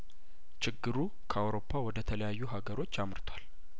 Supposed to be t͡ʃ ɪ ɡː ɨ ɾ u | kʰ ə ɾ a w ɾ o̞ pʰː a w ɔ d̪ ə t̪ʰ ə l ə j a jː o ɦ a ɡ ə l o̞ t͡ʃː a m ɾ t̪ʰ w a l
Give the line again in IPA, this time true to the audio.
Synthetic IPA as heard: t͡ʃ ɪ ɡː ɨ ɾ u | kʰ ə a w ɾ o̞ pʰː a w ɔ d̪ ə t̪ʰ ə l ə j a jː u ɦ a ɡ ə ɾ o̞ t͡ʃː a m ɾ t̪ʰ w a l